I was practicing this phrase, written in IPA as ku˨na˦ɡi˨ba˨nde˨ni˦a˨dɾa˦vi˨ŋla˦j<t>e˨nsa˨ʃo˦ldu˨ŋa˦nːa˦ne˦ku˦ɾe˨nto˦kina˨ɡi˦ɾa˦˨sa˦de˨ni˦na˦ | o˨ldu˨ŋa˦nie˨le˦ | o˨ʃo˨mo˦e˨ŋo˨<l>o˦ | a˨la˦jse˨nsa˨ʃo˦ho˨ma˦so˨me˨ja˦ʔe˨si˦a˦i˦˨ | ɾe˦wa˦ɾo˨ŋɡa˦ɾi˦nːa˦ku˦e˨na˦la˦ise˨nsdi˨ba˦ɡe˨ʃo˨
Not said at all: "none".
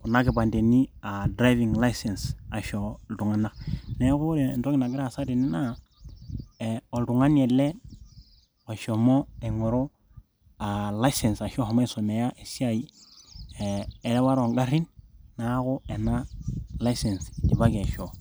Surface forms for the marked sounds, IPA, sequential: s, ɾ

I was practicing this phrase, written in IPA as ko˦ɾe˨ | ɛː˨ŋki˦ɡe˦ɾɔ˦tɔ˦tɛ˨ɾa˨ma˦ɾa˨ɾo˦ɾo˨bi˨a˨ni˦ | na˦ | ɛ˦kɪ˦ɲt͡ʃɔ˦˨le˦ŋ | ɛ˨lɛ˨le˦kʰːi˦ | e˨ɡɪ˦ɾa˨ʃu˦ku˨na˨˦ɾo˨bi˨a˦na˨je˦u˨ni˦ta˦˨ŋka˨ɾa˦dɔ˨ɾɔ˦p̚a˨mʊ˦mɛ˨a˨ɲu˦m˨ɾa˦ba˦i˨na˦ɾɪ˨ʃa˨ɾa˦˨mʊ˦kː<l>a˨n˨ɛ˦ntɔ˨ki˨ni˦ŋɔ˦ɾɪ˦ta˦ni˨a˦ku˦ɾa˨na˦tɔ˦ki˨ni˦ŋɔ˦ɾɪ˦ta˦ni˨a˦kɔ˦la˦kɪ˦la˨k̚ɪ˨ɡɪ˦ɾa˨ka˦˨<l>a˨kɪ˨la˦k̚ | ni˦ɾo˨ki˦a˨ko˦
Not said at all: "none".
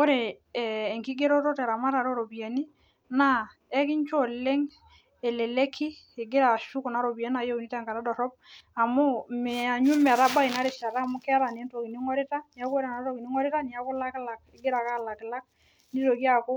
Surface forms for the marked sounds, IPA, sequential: ɾ, l

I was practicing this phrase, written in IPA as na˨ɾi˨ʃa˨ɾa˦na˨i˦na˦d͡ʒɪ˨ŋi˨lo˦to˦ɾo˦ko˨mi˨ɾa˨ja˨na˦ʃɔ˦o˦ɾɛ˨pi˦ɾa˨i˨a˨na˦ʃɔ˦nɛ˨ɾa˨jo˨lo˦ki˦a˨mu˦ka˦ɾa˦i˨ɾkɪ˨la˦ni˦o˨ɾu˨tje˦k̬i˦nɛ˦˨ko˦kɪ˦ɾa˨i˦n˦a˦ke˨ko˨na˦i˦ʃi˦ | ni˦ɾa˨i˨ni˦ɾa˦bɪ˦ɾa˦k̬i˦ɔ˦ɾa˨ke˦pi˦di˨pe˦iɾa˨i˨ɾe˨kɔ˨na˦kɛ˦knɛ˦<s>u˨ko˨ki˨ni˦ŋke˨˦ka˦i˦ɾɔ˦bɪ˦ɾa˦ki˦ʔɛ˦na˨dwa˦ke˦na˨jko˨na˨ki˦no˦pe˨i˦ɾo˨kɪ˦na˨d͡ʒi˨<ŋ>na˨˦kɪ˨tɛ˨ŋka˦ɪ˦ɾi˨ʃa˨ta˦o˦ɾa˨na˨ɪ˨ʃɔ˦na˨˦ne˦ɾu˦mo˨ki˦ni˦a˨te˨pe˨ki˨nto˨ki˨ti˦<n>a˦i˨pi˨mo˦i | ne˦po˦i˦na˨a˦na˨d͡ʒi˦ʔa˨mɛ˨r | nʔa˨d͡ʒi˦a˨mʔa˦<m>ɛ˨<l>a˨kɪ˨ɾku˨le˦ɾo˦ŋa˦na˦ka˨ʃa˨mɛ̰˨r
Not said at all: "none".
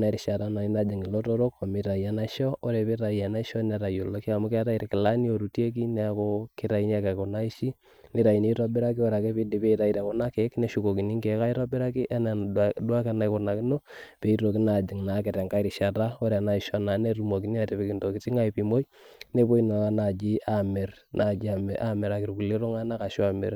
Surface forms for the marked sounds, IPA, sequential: ʃ, ŋ, ŋ, m, ɾ

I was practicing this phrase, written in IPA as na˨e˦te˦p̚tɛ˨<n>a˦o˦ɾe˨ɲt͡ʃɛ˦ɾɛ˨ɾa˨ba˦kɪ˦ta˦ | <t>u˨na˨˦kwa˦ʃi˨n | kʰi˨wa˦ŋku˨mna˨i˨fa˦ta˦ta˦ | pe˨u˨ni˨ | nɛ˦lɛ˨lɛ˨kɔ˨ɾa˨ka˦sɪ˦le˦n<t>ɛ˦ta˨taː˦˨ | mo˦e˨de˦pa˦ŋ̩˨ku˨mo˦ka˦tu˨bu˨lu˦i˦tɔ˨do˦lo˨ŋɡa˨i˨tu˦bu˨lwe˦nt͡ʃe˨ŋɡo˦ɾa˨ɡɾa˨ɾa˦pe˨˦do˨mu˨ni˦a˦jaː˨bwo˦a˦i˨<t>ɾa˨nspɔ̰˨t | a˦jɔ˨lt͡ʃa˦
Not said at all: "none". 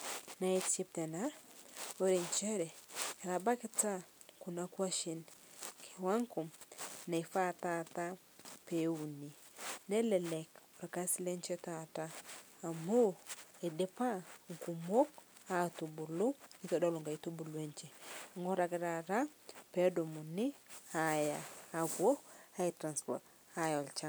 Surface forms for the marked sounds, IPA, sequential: n, k, t͡ʃ, t

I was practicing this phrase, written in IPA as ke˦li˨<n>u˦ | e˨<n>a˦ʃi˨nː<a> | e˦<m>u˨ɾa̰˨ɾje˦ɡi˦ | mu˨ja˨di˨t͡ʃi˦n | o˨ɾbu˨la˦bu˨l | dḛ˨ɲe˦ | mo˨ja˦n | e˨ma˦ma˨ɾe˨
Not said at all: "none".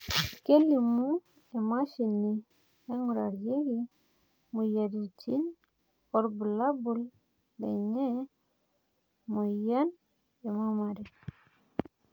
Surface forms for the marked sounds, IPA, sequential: m, m, i, ŋ

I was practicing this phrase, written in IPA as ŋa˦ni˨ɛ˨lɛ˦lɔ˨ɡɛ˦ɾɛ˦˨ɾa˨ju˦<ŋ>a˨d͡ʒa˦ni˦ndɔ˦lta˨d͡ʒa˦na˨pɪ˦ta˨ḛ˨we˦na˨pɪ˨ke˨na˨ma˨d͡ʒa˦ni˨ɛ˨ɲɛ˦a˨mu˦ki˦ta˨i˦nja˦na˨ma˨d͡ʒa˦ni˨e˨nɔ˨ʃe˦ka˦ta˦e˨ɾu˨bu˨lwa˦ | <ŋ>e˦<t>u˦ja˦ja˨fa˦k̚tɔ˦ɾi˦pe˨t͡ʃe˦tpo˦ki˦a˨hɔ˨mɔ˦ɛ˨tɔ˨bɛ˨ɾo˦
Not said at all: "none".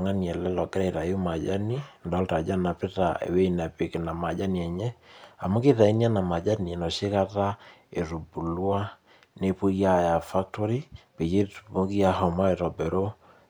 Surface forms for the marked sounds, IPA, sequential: m, n, p

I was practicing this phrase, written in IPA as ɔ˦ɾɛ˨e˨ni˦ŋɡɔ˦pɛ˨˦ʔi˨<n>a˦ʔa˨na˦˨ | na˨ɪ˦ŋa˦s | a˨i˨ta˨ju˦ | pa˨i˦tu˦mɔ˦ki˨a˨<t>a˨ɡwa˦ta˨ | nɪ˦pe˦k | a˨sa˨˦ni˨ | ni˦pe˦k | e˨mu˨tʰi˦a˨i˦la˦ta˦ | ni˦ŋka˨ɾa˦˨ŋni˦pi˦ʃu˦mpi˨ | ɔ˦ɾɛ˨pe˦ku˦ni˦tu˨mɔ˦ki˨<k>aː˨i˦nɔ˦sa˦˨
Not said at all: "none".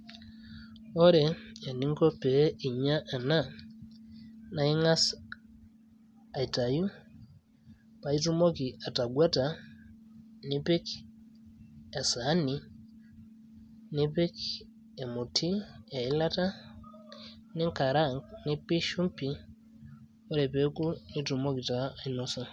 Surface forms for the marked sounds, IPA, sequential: ɲ, t, t

